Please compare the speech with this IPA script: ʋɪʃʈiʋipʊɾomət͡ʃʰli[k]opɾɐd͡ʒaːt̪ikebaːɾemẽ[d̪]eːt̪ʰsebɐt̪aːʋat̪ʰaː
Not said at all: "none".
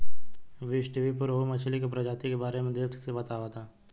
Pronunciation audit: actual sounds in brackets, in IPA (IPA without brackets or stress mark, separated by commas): k, d̪